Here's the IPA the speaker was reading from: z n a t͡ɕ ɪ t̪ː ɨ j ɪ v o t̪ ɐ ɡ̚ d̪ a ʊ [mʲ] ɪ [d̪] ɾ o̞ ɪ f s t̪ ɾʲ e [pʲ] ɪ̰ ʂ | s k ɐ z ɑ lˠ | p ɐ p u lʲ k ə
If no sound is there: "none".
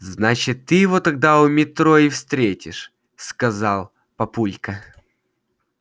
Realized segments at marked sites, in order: mʲ, t̪, tʲ

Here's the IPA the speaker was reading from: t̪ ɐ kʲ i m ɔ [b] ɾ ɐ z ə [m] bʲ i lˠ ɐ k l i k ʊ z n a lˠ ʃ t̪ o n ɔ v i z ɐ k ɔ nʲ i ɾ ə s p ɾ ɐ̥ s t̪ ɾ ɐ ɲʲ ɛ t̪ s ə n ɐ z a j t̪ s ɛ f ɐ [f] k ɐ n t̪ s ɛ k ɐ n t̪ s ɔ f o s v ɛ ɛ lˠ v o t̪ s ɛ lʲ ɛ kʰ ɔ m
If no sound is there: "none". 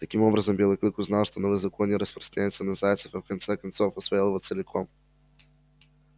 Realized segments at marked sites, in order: b, m, f

